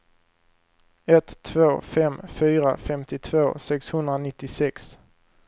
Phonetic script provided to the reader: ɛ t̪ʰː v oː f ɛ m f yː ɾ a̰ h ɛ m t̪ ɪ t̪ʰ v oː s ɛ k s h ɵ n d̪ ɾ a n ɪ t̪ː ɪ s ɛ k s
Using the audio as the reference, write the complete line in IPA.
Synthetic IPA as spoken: ɛ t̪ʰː v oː f ɛ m f yː ɾ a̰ f ɛ m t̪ ɪ t̪ʰ v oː s ɛ k s h ɵ n d̪ ɾ a n ɪ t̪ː ɪ s ɛ k s